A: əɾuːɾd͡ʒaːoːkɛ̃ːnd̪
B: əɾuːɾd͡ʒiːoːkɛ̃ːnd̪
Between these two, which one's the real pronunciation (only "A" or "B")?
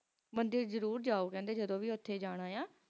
A